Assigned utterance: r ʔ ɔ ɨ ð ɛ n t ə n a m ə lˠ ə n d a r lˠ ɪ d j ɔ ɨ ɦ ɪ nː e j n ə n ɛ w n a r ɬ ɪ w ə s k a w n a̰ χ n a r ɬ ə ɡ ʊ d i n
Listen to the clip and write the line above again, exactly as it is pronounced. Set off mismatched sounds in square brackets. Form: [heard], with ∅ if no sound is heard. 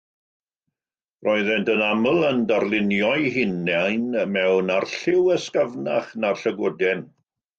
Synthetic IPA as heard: r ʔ ɔ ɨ ð ɛ n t ə n a m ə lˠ ə n d a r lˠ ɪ [n] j ɔ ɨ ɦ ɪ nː [a] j n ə [m] ɛ w n a r ɬ ɪ w ə s k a [v] n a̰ χ n a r ɬ ə ɡ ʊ d [ɛ] n